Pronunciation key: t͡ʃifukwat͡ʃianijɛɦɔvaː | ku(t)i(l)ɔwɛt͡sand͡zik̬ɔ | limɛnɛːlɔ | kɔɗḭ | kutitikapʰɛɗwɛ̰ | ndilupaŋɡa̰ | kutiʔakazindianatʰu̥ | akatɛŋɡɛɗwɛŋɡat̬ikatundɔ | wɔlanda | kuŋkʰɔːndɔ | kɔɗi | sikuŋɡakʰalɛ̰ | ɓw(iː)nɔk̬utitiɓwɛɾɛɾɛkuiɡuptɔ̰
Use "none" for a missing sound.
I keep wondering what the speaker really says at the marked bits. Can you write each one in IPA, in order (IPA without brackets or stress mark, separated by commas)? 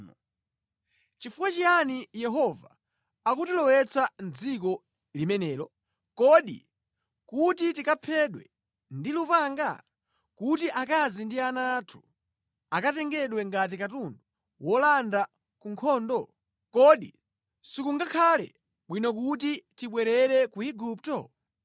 t, l, i